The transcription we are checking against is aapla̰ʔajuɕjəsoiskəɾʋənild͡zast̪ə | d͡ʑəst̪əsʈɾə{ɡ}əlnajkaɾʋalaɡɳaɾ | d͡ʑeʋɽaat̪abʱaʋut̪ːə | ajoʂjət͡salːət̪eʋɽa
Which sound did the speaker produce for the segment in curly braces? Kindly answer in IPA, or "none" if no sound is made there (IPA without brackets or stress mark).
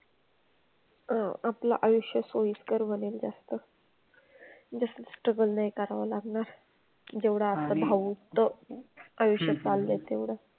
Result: ɡ